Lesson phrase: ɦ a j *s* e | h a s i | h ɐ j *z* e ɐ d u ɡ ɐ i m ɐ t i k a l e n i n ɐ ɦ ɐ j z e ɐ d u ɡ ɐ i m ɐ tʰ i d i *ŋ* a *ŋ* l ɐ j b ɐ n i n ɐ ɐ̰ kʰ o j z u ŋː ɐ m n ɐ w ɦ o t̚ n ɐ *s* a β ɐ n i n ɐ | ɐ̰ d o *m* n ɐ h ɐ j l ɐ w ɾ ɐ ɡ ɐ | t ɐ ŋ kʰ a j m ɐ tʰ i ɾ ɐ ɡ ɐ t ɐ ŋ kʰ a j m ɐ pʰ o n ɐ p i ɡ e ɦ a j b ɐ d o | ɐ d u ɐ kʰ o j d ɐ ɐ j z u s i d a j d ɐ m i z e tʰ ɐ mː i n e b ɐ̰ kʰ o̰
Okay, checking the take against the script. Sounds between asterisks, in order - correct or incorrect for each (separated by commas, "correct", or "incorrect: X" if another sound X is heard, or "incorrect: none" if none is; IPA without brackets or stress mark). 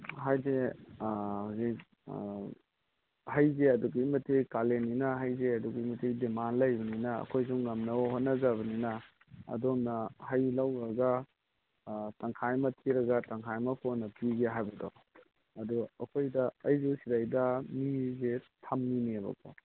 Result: incorrect: z, correct, incorrect: m, incorrect: n, incorrect: z, correct